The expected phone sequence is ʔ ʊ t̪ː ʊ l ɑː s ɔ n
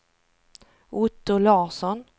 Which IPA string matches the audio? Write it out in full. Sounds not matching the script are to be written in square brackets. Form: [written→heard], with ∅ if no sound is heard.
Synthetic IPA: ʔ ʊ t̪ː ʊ l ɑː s ɔ n